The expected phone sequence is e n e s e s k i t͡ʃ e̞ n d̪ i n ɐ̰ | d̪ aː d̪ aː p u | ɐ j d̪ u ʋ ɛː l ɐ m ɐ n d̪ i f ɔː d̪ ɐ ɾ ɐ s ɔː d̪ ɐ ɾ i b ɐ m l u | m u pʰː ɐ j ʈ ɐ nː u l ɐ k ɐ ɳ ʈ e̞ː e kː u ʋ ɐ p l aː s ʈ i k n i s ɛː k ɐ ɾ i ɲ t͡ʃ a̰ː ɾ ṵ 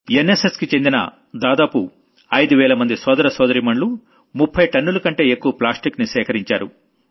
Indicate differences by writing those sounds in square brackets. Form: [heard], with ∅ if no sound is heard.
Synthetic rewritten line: e n e s e s k i t͡ʃ e̞ n d̪ i n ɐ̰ | d̪ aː d̪ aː p u | ɐ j d̪ u ʋ ɛː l ɐ m ɐ n d̪ i [s] ɔː d̪ ɐ ɾ ɐ s ɔː d̪ ɐ ɾ i [m] ɐ [ɳ] l u | m u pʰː ɐ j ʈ ɐ nː u l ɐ k ɐ ɳ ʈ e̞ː e kː u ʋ ɐ p l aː s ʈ i k n i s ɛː k ɐ ɾ i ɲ t͡ʃ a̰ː ɾ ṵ